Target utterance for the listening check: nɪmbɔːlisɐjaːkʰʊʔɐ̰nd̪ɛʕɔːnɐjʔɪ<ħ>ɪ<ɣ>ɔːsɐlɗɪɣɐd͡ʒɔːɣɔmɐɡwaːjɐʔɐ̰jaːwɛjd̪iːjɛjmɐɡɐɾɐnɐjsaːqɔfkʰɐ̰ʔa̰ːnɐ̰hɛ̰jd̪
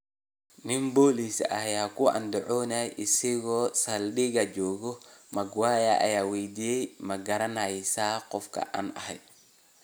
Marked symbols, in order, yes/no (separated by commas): no, yes